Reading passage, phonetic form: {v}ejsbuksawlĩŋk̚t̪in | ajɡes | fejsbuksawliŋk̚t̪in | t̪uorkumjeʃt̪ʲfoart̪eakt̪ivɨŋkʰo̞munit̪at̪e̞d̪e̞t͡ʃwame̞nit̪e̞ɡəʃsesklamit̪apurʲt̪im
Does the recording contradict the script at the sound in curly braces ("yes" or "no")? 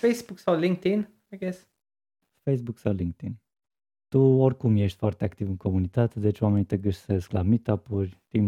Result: yes